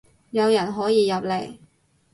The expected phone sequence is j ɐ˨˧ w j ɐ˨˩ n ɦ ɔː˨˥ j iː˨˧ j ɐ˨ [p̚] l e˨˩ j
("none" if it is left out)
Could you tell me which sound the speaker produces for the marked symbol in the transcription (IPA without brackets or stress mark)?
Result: p̚